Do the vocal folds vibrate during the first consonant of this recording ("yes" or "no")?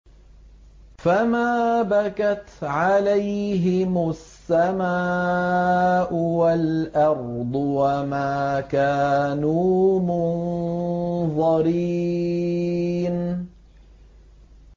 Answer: no